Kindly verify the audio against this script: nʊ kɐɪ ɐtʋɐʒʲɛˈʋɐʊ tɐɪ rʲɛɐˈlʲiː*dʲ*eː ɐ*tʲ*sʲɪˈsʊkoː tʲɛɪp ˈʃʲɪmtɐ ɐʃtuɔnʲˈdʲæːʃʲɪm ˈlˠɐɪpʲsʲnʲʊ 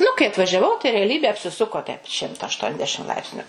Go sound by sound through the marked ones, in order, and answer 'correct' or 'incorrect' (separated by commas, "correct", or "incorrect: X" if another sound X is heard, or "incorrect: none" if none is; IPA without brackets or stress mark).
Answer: incorrect: bʲ, incorrect: pʲ